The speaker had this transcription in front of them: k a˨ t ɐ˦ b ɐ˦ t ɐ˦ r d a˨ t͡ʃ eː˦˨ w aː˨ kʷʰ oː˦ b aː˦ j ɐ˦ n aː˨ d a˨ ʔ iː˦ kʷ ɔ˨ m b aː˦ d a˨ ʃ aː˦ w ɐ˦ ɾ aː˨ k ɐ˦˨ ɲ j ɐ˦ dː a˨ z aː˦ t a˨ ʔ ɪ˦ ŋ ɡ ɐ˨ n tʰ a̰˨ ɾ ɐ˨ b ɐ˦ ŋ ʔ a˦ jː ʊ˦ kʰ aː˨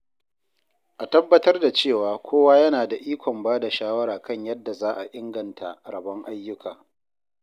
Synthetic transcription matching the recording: ʔ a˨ t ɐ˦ bː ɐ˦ t ɐ˦ r d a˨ t͡ʃ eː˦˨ w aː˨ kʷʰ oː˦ w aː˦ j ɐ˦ n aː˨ d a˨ ʔ iː˦ kʷ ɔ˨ m b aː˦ d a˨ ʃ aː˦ w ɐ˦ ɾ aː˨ k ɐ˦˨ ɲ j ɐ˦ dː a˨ z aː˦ ʔ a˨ ʔ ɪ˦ ŋ ɡ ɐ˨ n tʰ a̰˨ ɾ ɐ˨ b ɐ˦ ŋ ʔ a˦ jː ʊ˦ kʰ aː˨